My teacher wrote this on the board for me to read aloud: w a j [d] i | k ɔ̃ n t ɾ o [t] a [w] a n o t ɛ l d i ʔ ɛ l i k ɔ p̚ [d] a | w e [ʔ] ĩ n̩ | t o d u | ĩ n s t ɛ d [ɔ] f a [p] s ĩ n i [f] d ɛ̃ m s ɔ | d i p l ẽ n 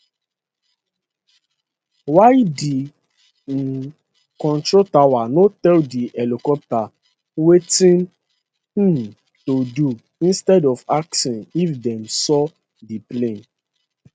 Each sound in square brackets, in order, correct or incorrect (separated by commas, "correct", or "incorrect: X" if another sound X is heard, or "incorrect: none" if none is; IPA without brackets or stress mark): correct, correct, correct, incorrect: t, incorrect: t, correct, incorrect: k, correct